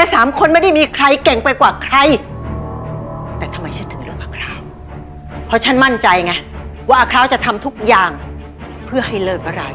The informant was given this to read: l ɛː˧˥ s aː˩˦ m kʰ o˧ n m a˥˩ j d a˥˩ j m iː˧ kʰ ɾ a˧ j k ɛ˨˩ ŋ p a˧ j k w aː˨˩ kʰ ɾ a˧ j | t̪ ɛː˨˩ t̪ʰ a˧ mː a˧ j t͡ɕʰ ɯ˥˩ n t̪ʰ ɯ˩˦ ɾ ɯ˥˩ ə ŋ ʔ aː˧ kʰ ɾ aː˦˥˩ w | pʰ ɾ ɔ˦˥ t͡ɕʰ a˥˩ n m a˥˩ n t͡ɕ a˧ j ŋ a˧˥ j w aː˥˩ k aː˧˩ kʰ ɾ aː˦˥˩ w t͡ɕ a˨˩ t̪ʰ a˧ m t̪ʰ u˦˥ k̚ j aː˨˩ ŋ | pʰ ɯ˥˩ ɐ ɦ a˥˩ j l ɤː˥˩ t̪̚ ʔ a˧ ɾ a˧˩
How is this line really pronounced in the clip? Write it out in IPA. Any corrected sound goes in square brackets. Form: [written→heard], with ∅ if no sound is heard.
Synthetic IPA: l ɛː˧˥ s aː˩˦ m kʰ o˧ n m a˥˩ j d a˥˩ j m iː˧ kʰ ɾ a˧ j k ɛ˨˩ ŋ p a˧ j k w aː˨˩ kʰ ɾ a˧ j | t̪ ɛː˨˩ t̪ʰ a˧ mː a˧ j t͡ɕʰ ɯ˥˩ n t̪ʰ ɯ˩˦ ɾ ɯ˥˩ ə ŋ ʔ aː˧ kʰ ɾ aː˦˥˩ w | pʰ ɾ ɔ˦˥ t͡ɕʰ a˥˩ n m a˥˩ n t͡ɕ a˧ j ŋ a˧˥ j w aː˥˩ [k→ʔ] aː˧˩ kʰ ɾ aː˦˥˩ w t͡ɕ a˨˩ t̪ʰ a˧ m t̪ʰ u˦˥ k̚ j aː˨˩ ŋ | pʰ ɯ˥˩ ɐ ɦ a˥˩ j l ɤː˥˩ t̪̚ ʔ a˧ ɾ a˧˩